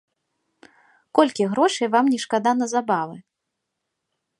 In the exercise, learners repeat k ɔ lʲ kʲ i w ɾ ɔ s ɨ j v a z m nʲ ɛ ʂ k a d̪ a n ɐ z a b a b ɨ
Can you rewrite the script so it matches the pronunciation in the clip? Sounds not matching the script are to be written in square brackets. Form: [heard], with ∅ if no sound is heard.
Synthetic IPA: k ɔ lʲ kʲ i [ɣ] ɾ ɔ [ʂ] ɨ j v a [∅] m nʲ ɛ ʂ k a d̪ a n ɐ z a b a [v] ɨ

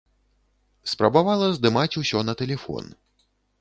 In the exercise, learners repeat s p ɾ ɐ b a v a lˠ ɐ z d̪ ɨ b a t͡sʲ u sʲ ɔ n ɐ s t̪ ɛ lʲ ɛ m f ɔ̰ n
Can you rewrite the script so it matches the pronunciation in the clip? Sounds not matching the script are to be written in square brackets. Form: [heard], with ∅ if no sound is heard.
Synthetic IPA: s p ɾ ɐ b a v a lˠ ɐ z d̪ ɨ [m] a t͡sʲ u sʲ ɔ n ɐ [∅] t̪ ɛ lʲ ɛ [∅] f ɔ̰ n

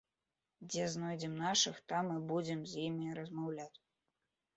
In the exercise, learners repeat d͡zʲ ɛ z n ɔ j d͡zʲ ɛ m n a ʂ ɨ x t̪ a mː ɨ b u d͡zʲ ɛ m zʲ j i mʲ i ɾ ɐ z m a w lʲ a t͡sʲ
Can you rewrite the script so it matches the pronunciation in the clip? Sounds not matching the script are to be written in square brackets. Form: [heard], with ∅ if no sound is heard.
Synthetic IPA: d͡zʲ ɛ z n ɔ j d͡zʲ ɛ m n a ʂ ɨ x t̪ a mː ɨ b u d͡zʲ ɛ m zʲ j i mʲ i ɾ ɐ z m a w lʲ a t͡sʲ

